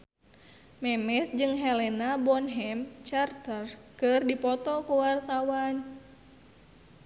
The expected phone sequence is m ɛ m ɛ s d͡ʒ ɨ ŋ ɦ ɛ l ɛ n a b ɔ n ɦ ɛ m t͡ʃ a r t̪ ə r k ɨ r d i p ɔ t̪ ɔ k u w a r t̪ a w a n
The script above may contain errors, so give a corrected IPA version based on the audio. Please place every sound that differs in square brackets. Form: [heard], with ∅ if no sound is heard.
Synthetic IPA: m ɛ m ɛ s d͡ʒ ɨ ŋ ɦ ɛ l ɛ n a b ɔ n ɦ ɛ m t͡ʃ a r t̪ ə r k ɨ r d i p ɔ t̪ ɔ k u w a r t̪ a w a n